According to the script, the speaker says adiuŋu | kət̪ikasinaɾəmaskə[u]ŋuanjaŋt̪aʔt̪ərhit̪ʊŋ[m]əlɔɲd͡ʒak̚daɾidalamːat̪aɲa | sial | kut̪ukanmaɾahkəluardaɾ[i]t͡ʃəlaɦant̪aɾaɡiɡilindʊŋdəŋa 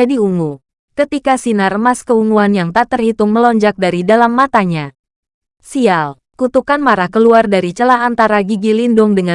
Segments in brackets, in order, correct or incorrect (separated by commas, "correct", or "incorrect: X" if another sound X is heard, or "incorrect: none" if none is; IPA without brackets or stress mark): correct, correct, correct